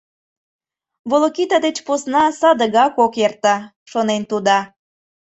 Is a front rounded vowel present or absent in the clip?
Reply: absent